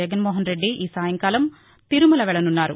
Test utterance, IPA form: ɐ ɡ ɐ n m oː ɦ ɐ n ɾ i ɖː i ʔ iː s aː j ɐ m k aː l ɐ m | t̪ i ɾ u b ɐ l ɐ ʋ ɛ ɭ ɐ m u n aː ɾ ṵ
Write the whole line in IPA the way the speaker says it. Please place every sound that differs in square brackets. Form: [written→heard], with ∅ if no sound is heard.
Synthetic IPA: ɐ ɡ ɐ n m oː ɦ ɐ n ɾ [i→e] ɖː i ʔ iː s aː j ɐ [m→ŋ] k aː l ɐ m | t̪ i ɾ u [b→m] ɐ l ɐ ʋ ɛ ɭ ɐ [m→n] u [n→nː] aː ɾ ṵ